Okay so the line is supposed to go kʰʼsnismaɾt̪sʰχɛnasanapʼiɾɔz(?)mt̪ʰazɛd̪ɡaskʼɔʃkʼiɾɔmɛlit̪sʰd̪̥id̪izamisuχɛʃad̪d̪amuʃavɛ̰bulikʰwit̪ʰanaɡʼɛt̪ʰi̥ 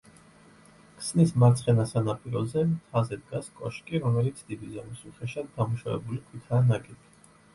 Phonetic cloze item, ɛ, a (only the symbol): ɛ